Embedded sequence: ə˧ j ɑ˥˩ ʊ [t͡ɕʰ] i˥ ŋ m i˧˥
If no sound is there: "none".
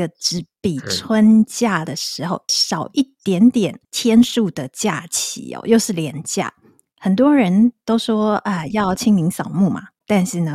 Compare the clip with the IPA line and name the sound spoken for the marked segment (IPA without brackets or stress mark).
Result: t͡ɕʰ